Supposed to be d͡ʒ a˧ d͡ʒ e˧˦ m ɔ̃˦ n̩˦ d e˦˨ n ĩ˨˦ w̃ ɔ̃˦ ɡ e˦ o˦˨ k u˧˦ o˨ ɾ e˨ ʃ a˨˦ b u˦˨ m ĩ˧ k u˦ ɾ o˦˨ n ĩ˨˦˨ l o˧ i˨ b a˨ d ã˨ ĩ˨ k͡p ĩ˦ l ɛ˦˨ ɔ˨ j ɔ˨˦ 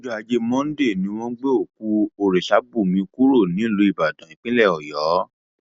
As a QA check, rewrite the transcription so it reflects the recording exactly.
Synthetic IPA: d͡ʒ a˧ d͡ʒ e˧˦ m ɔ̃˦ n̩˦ d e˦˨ n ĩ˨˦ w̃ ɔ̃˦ ɡ͡b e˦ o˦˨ k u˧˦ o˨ ɾ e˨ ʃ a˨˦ b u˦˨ m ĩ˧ k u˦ ɾ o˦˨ n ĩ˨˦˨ l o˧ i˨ b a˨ d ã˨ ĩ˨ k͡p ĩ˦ l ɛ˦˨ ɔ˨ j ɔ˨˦